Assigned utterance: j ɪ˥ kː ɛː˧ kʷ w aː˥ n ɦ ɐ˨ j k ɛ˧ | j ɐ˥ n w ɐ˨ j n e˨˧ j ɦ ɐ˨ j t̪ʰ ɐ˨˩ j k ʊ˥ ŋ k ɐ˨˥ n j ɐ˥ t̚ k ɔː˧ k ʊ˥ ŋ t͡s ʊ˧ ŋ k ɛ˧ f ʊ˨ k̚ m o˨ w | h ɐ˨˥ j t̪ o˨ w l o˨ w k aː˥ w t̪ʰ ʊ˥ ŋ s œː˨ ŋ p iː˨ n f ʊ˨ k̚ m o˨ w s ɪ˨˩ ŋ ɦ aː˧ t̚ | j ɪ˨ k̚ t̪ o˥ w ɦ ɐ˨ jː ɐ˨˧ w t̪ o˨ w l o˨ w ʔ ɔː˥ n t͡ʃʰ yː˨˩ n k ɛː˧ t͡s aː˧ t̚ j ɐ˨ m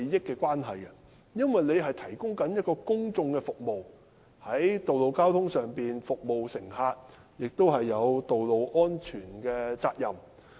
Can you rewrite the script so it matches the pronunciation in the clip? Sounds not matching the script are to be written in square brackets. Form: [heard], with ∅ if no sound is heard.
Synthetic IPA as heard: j ɪ˥ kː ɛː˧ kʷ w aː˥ n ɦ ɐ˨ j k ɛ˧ | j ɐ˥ n w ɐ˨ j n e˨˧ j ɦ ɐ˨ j t̪ʰ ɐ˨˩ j k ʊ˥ ŋ k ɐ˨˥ n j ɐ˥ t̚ k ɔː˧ k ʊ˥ ŋ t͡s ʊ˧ ŋ k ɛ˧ f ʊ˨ k̚ m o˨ w | h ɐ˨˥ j t̪ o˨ w l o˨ w k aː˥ w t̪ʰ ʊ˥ ŋ s œː˨ ŋ p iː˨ n f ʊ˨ k̚ m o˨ w s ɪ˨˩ ŋ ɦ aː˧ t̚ | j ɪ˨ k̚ t̪ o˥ w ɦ ɐ˨ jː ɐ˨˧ w t̪ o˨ w l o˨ w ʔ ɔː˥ n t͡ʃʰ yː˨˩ n k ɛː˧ t͡s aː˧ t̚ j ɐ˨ m